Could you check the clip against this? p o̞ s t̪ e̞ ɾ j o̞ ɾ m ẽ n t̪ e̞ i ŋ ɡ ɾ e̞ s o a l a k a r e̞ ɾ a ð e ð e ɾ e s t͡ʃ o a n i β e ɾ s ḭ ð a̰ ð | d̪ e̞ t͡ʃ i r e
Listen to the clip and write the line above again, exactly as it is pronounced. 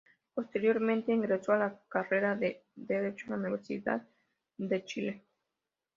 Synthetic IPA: p o̞ s t̪ e̞ ɾ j o̞ ɾ m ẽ n t̪ e̞ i ŋ ɡ ɾ e̞ s o a l a k a r e̞ ɾ a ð e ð e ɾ e t͡ʃ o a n i β e ɾ s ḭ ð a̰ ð | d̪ e̞ t͡ʃ i l e